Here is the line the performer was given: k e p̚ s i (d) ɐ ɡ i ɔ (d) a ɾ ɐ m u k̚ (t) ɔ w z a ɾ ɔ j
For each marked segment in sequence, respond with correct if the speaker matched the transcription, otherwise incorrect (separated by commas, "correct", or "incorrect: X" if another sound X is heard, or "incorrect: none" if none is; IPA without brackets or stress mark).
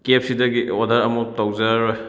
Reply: correct, correct, correct